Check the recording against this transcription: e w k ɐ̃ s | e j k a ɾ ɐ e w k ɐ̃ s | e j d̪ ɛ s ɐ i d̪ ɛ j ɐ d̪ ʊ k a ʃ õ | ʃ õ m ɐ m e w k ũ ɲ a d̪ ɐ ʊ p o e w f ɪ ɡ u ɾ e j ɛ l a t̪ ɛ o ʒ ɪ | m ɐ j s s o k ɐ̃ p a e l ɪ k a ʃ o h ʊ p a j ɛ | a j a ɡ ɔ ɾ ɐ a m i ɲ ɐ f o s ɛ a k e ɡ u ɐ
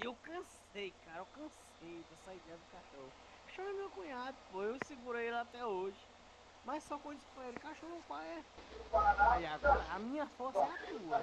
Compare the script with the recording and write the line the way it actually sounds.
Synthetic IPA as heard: e w k ɐ̃ s | e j k a ɾ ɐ e w k ɐ̃ s | e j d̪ ɛ s ɐ i d̪ ɛ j ɐ d̪ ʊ k a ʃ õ | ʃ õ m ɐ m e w k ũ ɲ a d̪ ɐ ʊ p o e w s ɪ ɡ u ɾ e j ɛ l a t̪ ɛ o ʒ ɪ | m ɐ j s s ɔ k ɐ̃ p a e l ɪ k a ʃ o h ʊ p a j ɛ | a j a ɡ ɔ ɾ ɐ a m ĩ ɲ ɐ f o s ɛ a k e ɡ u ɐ